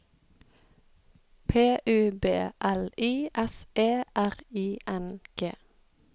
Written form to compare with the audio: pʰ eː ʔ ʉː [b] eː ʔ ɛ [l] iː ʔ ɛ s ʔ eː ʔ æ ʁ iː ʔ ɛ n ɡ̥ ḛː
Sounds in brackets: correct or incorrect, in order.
correct, correct

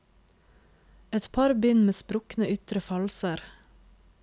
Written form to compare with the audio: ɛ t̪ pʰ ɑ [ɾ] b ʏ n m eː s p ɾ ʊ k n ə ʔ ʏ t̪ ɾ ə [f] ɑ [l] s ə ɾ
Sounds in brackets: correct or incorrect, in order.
correct, correct, correct

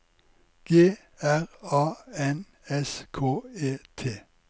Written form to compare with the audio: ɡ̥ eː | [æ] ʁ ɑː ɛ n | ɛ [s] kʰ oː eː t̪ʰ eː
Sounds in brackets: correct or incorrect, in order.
correct, correct

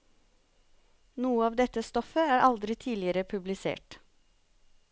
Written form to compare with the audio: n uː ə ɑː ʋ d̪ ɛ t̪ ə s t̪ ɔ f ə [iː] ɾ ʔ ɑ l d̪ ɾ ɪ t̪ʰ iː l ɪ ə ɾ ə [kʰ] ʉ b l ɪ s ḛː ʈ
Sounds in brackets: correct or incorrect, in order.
incorrect: æː, incorrect: pʰ

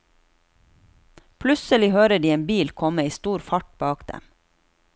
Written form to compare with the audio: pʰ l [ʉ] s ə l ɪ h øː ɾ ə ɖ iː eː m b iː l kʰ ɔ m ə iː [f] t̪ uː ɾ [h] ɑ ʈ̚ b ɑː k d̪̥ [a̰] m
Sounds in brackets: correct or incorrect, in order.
correct, incorrect: s, incorrect: f, incorrect: ɛ̰

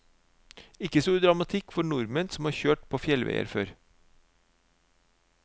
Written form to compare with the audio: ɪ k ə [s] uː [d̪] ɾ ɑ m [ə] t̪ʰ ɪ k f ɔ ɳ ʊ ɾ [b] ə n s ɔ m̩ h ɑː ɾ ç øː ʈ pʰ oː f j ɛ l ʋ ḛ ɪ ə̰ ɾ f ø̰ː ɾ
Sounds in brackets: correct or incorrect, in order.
correct, correct, incorrect: ɑ, incorrect: m

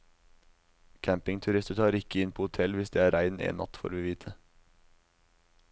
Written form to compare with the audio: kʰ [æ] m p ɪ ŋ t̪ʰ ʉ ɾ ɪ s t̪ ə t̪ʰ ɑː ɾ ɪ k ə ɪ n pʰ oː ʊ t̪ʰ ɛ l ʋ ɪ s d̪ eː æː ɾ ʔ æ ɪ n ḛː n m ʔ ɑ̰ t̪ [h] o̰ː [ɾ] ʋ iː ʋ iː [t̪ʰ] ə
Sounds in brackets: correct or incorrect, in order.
correct, incorrect: f, correct, correct

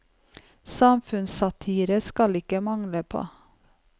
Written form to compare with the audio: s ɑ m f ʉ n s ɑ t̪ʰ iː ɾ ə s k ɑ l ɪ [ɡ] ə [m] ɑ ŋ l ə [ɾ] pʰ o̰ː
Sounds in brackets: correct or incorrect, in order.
incorrect: k, correct, incorrect: none

